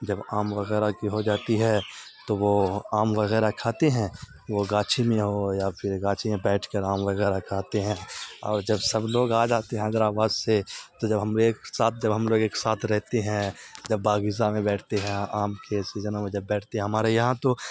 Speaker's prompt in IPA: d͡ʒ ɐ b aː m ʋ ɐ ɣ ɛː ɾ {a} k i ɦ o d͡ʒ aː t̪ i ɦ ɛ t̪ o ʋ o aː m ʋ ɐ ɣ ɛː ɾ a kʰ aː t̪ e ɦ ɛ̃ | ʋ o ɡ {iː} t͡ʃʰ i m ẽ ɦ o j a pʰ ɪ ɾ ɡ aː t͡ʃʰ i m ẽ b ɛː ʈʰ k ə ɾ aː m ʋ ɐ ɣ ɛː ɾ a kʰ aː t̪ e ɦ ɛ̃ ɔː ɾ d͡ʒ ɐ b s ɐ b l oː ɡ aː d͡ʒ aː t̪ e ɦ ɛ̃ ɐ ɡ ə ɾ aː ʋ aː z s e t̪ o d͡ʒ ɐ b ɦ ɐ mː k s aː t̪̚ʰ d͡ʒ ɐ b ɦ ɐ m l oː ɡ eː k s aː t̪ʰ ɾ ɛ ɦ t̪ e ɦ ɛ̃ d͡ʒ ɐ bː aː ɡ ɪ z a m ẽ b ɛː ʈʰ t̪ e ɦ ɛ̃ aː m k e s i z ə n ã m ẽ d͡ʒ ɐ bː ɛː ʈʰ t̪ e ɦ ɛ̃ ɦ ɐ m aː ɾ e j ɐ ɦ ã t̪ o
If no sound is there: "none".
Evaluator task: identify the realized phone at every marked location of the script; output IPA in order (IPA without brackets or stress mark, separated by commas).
a, aː